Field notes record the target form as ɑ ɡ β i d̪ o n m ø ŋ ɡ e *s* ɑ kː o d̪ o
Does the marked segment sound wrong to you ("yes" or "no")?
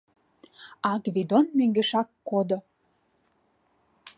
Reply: yes